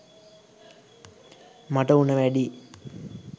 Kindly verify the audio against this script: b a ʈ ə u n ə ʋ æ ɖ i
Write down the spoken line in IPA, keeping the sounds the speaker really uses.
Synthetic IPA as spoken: m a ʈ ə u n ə ʋ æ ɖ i